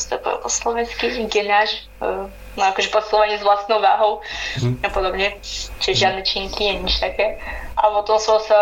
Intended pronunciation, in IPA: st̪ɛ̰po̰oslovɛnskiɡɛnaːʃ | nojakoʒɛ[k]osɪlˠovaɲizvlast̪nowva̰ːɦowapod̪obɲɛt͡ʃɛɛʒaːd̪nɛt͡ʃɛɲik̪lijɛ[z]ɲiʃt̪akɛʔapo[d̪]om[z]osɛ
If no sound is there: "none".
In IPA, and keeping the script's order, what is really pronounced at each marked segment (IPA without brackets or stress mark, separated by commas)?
p, none, t̪, s